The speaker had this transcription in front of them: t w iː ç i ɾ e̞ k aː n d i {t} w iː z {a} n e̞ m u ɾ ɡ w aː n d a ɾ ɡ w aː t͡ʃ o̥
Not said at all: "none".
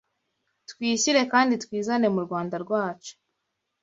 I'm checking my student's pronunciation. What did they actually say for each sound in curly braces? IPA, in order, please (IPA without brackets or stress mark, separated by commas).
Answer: t, a